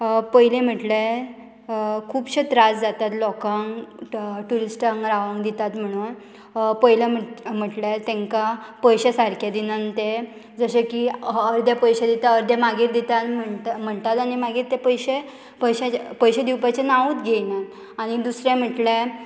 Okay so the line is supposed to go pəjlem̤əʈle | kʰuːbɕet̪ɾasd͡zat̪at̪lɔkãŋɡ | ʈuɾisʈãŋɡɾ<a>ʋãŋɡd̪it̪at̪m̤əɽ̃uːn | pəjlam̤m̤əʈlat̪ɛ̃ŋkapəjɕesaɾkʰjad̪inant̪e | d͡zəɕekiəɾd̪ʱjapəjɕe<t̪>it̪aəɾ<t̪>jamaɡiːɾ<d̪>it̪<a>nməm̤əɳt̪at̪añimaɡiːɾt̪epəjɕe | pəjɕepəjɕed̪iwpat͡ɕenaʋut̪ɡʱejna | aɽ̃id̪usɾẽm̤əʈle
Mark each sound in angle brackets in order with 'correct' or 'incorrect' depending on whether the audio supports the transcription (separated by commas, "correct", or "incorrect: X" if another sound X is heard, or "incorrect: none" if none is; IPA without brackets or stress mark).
correct, incorrect: d̪, incorrect: d̪, correct, correct